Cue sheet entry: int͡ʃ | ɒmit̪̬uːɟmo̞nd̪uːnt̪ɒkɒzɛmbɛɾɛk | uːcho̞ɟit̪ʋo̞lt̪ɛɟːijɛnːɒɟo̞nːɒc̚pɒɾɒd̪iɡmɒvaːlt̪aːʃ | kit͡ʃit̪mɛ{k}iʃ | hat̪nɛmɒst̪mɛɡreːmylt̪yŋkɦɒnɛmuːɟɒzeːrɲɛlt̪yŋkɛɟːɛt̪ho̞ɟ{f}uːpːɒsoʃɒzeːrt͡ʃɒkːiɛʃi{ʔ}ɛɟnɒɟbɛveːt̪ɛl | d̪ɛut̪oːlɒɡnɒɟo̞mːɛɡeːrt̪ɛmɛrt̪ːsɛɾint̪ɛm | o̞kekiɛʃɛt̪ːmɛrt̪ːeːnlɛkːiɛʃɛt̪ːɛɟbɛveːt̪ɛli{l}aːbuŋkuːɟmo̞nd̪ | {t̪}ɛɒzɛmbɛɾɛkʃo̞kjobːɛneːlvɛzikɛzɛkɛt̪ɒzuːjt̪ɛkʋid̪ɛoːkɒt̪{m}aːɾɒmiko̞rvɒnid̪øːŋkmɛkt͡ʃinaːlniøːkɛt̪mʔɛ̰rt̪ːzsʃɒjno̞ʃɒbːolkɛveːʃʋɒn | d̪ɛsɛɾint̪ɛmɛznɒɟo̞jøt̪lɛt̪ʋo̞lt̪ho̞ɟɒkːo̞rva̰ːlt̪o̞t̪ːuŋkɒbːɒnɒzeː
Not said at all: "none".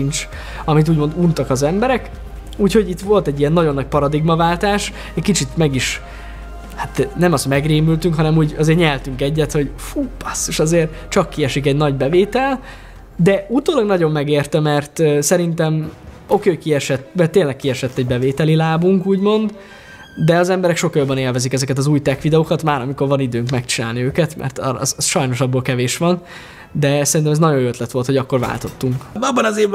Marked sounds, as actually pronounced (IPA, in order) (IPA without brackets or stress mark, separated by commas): ɡ, f, k, l, d̪, m